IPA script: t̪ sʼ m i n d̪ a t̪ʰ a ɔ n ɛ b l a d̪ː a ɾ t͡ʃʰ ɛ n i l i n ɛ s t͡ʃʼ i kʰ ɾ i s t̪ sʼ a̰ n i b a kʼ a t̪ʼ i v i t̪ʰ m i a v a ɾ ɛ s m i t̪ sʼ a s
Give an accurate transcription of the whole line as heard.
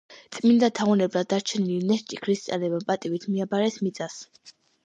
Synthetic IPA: t̪ sʼ m i n d̪ a t̪ʰ a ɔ n ɛ b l a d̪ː a ɾ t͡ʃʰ ɛ n i l i n ɛ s t͡ʃʼ i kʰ ɾ i s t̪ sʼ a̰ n ɛ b a pʼ a t̪ʼ i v i t̪ʰ m i a b a ɾ ɛ s m i t̪ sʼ a s